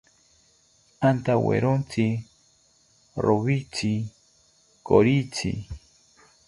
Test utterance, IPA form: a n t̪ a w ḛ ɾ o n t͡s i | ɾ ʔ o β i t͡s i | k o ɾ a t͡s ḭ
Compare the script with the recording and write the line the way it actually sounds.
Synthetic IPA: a n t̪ a w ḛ ɾ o n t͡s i | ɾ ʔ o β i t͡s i | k o ɾ i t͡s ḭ

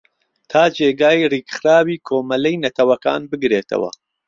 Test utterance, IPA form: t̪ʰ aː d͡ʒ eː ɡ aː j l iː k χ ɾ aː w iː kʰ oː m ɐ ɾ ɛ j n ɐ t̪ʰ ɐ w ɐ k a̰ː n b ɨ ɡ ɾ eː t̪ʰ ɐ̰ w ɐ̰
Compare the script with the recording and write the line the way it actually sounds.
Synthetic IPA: t̪ʰ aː d͡ʒ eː ɡ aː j r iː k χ ɾ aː w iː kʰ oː m ɐ l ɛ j n ɐ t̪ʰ ɐ w ɐ k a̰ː n b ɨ ɡ ɾ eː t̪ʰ ɐ̰ w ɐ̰

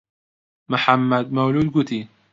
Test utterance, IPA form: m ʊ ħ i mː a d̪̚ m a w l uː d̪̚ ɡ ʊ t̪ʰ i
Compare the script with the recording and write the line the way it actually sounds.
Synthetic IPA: m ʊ ħ a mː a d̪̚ m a w l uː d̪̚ ɡ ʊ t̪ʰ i

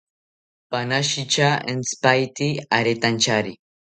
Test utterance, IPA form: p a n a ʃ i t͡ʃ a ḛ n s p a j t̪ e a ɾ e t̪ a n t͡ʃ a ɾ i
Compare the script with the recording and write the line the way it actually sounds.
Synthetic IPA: p a n a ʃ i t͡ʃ a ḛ n s p a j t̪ i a ɾ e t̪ a n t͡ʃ a ɾ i

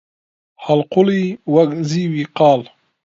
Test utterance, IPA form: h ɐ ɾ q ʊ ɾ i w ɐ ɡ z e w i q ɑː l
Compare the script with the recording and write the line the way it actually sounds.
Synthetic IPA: h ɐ l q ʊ l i w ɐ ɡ z i w i q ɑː l

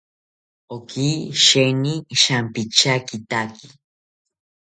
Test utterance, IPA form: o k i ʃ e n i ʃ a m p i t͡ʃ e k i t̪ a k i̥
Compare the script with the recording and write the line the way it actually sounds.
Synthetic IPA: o k i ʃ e n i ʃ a m p i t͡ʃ a k i t̪ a k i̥

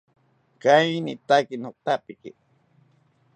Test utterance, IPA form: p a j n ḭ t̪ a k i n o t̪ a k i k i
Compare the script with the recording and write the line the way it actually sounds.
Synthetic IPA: k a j n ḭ t̪ a k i n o t̪ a p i k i

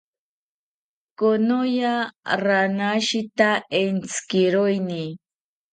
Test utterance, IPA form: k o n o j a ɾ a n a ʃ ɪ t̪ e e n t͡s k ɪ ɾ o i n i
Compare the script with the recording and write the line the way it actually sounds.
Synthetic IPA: k o n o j a ɾ a n a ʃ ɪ t̪ a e n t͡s k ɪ ɾ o j n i

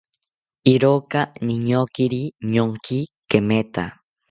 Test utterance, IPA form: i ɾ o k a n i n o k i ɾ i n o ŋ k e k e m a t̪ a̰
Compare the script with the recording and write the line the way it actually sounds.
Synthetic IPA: i ɾ o k a n i ɲ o k i ɾ i ɲ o ŋ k i k e m e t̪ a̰

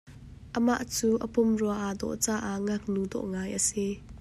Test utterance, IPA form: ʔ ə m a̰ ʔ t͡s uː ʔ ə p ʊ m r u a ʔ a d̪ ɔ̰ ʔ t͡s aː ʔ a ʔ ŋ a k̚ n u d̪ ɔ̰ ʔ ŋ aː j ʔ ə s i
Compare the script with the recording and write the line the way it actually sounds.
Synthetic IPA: ʔ ə m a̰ ʔ t͡s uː ʔ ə p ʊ m r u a ʔ a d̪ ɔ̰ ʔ t͡s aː ʔ a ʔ ŋ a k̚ n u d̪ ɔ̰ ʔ ŋ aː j ʔ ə s i

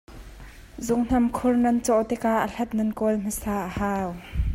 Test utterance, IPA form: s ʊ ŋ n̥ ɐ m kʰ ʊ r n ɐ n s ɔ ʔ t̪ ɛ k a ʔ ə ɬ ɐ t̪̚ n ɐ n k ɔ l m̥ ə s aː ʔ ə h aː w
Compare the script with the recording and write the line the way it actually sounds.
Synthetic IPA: z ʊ ŋ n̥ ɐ m kʰ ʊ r n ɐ n t͡s ɔ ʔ t̪ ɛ k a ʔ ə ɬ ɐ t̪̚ n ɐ n k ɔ l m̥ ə s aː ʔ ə h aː w

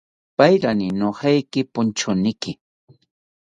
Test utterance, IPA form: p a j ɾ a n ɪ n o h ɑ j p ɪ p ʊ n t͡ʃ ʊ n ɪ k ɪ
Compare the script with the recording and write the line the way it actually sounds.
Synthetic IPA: p a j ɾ a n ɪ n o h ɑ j k ɪ p ʊ n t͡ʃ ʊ n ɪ k ɪ

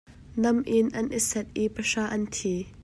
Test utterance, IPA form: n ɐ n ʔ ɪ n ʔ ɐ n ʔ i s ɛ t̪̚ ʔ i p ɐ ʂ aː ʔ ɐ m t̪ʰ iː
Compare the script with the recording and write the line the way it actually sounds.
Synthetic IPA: n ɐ m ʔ ɪ n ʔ ɐ n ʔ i s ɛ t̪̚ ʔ i p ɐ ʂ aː ʔ ɐ n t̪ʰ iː

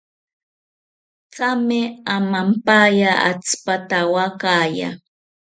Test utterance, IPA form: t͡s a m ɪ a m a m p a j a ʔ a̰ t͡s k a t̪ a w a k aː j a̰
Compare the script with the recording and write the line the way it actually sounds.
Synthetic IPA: t͡s a m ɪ a m a m p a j a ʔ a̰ t͡s p a t̪ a w a k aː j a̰

